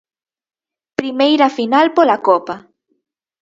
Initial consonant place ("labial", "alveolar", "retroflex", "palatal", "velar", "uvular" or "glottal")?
labial